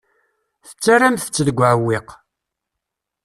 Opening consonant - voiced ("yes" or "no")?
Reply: no